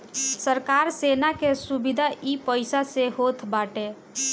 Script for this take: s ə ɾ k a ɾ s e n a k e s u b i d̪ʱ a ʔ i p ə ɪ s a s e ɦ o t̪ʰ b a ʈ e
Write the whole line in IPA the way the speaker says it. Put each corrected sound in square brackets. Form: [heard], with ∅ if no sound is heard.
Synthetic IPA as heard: s ə ɾ k a ɾ s e n a k e s u b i d̪ʱ a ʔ i p ə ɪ s a s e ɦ o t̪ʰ b a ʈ e